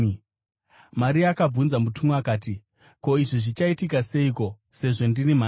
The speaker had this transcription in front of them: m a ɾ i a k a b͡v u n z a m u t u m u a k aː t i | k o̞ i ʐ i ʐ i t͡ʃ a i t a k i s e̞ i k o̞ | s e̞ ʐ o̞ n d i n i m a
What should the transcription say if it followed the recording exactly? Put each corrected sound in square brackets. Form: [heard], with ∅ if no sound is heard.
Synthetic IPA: m a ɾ i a k a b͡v u n z a m u t u m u a k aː t i | k o̞ i ʐ i ʐ i t͡ʃ a i t [i] k [a] s e̞ i k o̞ | s e̞ ʐ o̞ n d i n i m a